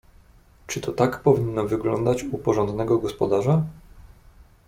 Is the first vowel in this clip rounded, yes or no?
no